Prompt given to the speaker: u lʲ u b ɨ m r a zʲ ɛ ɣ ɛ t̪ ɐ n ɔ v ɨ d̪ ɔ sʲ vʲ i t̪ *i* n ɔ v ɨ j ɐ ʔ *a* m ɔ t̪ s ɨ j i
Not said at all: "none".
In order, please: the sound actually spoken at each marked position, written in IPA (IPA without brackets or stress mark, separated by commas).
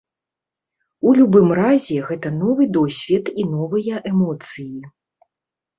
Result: i, ɛ